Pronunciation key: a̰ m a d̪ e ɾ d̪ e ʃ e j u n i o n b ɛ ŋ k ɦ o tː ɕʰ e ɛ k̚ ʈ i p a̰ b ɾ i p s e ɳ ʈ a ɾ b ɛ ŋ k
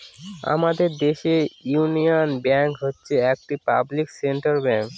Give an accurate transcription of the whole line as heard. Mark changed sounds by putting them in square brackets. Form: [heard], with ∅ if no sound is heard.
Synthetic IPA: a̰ m a d̪ e ɾ d̪ e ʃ e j u n i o n b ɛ ŋ k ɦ o tː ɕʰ e ɛ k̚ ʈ i p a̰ b [l] i [k] s e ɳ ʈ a ɾ b ɛ ŋ k